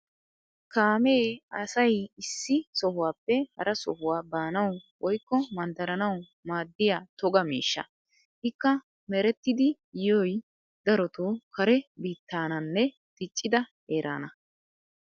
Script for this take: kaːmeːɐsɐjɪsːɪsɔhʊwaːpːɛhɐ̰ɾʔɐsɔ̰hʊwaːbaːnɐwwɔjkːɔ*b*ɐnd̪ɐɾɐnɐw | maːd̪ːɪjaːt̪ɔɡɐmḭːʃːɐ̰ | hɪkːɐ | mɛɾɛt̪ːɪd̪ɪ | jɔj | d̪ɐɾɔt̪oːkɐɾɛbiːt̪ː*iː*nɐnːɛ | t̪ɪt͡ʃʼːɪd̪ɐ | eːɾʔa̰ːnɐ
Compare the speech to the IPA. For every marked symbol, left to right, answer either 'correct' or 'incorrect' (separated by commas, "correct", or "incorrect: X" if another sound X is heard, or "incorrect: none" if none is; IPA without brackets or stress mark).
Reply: incorrect: m, incorrect: aː